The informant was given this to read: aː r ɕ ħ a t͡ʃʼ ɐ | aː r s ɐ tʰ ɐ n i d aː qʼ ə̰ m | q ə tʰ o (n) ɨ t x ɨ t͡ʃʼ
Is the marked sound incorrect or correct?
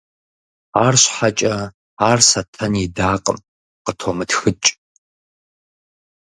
incorrect